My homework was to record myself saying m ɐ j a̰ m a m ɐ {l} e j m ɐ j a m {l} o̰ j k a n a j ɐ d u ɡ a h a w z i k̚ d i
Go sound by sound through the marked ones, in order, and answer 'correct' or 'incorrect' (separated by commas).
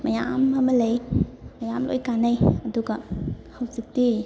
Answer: correct, correct